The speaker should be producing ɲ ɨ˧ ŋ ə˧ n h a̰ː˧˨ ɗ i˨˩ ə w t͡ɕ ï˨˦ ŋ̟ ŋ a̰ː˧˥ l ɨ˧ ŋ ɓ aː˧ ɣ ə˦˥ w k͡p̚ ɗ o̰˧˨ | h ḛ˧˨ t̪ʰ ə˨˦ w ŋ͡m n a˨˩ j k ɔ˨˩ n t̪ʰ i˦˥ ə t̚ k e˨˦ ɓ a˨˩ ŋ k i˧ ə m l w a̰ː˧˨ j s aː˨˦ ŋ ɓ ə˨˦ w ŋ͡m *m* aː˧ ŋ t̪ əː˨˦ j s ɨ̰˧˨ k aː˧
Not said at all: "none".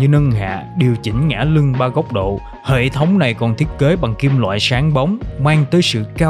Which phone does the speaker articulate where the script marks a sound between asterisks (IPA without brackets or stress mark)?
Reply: m